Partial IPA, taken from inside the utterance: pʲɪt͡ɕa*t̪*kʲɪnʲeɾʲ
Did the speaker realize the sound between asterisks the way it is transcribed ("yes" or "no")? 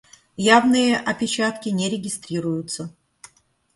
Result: yes